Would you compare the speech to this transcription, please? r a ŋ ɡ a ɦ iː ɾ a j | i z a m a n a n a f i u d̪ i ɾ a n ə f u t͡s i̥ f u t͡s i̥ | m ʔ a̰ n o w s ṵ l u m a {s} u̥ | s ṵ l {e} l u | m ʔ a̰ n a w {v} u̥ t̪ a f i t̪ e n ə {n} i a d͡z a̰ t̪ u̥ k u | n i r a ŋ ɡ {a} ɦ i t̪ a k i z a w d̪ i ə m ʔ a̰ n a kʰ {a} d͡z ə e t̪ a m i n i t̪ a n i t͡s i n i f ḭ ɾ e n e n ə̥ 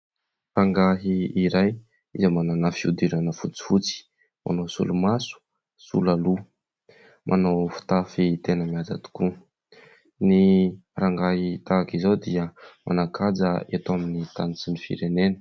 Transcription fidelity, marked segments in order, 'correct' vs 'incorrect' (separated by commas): correct, incorrect, incorrect, incorrect, correct, correct